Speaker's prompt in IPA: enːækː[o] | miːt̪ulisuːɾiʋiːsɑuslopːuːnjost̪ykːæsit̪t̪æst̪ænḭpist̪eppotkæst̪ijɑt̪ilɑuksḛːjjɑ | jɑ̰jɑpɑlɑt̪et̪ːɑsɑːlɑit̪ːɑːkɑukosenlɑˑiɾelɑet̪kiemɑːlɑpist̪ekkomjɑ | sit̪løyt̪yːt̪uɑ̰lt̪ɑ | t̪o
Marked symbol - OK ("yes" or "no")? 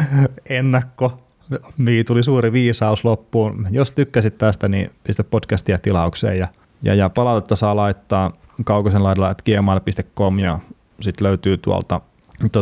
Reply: yes